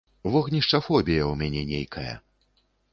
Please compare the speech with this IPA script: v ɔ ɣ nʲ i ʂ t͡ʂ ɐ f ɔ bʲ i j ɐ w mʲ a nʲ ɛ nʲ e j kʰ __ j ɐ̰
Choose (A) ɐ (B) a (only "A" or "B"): A